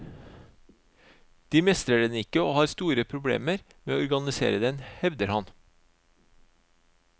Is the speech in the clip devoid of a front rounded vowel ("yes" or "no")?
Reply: yes